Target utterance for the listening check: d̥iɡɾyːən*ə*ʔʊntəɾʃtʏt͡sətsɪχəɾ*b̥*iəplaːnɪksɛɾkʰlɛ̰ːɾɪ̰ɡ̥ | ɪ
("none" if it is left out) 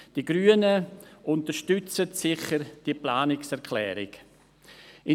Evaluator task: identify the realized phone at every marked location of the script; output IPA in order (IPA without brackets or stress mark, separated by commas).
ə, d̥